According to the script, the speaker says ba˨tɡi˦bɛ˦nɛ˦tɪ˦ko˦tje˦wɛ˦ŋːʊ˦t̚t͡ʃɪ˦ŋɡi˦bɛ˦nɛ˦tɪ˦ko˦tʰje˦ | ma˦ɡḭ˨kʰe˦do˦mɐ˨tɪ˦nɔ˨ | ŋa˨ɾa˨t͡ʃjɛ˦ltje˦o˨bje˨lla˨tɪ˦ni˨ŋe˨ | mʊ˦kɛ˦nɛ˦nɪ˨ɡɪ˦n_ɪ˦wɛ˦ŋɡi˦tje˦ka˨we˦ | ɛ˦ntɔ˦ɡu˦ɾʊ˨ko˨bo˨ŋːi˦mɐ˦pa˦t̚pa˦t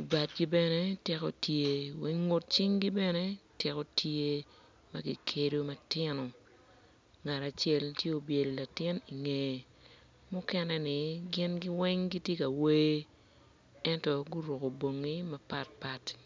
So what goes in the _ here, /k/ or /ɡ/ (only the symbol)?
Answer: ɡ